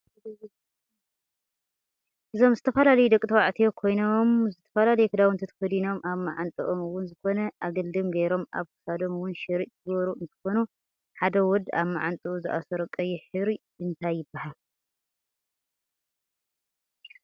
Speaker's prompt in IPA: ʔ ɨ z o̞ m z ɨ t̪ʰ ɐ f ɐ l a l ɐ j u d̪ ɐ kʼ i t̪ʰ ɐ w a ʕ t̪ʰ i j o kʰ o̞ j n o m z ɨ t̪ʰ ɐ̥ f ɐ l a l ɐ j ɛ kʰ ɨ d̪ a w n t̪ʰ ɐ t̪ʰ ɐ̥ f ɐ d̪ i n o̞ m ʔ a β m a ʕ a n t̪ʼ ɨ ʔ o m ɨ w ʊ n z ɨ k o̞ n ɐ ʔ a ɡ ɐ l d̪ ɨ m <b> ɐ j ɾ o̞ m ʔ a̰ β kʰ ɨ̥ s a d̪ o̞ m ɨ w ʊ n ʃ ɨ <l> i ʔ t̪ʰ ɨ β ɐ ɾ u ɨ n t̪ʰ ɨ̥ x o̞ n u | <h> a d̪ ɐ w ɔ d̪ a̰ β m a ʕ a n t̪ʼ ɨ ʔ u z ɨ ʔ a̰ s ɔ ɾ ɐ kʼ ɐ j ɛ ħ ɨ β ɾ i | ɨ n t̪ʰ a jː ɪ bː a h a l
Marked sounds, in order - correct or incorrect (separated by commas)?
incorrect, incorrect, incorrect